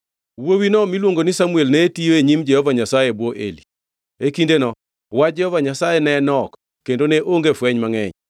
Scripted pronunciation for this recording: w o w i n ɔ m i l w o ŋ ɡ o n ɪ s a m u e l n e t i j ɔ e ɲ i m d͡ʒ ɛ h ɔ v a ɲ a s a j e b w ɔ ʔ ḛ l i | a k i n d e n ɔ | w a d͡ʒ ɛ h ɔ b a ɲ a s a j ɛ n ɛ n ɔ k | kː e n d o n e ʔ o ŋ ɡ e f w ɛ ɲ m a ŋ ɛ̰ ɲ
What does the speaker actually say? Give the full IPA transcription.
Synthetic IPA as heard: w o w i n ɔ m i l w o ŋ ɡ o n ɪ s a m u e l n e t i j o e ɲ i m d͡ʒ ɛ h ɔ v a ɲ a s a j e b w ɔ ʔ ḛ l i | e k i n d e n ɔ | w a d͡ʒ ɛ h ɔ v a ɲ a s a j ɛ n ɛ n ɔ k | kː e n d o n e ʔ o ŋ ɡ e f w ɛ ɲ m a ŋ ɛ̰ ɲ